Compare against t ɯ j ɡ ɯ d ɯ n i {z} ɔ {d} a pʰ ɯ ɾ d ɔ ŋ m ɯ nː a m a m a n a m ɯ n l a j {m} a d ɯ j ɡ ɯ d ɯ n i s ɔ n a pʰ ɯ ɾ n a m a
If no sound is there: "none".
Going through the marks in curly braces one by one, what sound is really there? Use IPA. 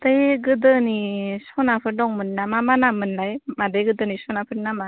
s, n, m

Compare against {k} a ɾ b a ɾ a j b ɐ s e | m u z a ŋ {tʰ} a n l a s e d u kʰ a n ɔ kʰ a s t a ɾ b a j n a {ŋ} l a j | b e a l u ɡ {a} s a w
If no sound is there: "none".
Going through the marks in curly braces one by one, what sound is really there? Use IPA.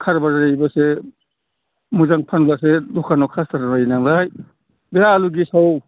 kʰ, pʰ, ŋ, i

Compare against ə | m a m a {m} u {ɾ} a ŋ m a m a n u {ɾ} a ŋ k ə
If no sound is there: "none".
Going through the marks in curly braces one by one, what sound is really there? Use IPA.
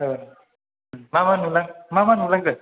n, l, l

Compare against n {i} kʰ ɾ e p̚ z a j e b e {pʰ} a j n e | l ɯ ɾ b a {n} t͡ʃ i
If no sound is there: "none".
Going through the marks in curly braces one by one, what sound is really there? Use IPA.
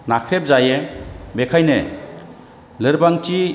a, kʰ, ŋ

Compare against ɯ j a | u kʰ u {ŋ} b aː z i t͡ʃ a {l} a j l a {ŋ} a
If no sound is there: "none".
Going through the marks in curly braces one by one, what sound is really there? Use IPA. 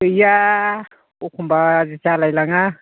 m, l, ŋ

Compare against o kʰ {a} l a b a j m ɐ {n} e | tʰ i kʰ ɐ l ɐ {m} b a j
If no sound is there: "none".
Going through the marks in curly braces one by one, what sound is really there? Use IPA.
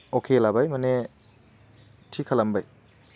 e, n, m

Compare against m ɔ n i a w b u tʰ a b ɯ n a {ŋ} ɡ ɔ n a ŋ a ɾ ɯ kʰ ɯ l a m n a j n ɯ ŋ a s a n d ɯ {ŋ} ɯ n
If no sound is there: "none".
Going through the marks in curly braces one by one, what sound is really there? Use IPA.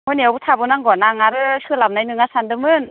ŋ, m

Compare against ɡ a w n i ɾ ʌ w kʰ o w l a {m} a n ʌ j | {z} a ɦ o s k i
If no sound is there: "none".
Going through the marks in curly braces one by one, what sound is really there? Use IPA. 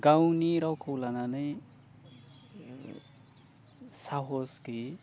n, s

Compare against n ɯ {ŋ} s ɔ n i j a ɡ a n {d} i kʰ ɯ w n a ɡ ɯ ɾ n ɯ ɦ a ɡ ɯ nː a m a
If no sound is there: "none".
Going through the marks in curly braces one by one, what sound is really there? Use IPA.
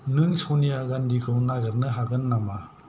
ŋ, d

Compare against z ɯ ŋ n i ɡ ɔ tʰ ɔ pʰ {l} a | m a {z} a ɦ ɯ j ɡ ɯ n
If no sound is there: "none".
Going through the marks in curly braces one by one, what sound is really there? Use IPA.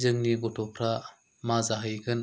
ɾ, z

